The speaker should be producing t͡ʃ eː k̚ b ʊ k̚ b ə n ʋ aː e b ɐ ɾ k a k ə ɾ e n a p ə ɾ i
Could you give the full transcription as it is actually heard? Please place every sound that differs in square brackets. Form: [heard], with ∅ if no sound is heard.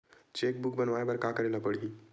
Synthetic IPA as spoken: t͡ʃ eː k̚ b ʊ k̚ b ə n ʋ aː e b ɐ ɾ k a k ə ɾ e n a p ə [ɽ] i